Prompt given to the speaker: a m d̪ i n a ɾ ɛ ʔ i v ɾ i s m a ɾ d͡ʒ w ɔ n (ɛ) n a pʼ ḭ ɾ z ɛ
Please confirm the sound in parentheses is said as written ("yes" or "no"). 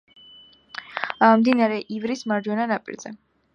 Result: no